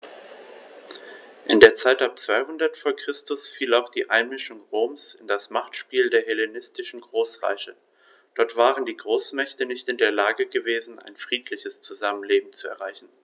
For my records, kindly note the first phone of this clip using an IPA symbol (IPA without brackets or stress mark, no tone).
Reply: ʔ